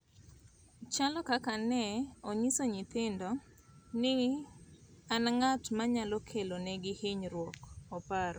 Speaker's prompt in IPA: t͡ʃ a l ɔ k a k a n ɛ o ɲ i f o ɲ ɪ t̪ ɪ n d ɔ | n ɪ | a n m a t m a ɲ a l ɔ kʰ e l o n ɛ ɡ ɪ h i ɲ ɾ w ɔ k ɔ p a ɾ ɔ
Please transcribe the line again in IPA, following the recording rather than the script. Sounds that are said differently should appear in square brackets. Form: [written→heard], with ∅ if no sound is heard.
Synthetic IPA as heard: t͡ʃ a l ɔ k a k a n ɛ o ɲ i [f→s] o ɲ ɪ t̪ ɪ n d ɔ | n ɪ | a n [m→ŋ] a t m a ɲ a l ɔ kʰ e l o n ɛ ɡ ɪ h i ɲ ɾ w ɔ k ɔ p a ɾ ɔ